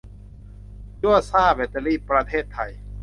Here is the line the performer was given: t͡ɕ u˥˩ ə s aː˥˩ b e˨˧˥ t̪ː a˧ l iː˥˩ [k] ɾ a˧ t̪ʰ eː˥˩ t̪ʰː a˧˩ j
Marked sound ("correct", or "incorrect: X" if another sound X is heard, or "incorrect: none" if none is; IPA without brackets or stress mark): incorrect: p